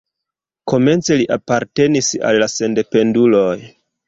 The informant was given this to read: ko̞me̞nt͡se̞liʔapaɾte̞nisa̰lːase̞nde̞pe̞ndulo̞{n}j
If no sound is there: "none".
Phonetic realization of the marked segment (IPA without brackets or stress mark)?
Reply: none